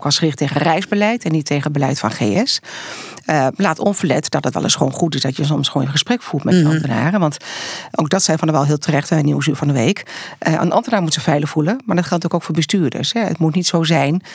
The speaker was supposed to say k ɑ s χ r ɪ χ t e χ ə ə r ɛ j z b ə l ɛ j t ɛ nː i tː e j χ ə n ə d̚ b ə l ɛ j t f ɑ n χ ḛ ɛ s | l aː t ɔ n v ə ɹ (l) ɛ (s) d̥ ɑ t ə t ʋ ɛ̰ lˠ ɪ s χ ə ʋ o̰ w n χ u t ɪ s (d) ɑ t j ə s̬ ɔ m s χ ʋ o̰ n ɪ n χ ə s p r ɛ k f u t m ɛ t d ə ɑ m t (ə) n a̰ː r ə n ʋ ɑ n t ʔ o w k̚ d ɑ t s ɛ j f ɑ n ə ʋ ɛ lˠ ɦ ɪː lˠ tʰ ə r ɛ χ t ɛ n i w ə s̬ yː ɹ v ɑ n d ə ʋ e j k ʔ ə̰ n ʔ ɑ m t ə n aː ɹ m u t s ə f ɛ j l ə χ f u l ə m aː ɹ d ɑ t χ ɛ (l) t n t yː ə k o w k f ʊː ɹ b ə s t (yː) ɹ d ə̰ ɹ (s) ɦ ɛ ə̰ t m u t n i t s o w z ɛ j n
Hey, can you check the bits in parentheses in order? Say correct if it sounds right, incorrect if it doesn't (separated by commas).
correct, incorrect, correct, correct, correct, correct, correct